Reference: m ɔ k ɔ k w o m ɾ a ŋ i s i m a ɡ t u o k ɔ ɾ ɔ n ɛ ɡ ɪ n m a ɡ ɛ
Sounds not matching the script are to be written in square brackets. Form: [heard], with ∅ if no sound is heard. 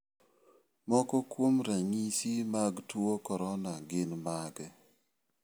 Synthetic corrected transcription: m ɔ k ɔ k w o m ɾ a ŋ i s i m a ɡ t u o k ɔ ɾ ɔ n [a] ɡ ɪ n m a ɡ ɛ